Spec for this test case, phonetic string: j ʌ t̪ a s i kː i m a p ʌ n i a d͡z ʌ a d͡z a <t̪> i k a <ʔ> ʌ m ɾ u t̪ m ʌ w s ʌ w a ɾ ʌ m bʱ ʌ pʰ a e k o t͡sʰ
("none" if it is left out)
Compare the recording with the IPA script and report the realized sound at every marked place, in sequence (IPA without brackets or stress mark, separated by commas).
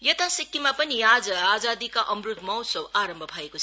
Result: d̪, ʔ